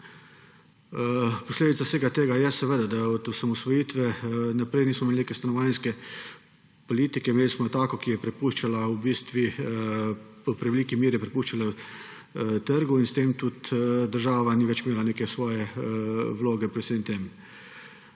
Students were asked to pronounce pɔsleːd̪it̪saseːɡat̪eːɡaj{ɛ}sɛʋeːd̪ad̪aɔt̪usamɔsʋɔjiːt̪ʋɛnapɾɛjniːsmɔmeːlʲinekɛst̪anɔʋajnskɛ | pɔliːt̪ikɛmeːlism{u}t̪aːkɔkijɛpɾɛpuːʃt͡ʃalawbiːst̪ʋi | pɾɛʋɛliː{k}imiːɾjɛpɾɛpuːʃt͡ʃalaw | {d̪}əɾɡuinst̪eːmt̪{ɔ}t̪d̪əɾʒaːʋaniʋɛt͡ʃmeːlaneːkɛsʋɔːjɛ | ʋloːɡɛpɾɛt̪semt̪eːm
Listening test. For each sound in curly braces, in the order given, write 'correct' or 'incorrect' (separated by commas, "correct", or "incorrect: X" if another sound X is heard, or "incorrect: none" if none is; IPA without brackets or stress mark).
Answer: correct, incorrect: ɔ, correct, incorrect: t̪, incorrect: u